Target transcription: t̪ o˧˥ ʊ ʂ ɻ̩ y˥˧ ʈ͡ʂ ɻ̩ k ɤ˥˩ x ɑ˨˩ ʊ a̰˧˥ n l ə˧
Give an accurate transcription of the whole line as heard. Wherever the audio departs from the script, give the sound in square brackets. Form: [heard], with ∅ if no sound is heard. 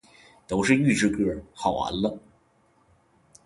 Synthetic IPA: t̪ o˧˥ ʊ ʂ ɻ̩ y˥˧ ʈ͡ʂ ɻ̩ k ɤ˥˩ x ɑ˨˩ ʊ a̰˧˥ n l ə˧